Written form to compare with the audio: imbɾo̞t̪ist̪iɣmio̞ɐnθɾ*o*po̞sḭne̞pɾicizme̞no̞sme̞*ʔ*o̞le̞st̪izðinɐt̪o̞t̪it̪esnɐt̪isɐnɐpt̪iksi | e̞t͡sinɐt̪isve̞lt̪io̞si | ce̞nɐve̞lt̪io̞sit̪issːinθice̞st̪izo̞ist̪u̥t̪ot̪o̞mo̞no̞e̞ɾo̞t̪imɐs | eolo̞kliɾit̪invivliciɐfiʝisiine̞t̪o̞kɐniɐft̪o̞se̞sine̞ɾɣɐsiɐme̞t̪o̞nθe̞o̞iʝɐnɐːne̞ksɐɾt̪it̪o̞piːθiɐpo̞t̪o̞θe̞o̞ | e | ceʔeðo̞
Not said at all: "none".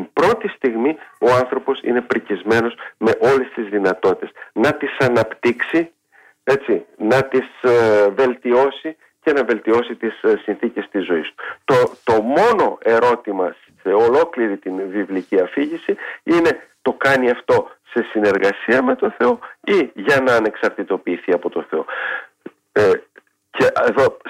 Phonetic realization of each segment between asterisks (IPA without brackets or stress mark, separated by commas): o, ʔ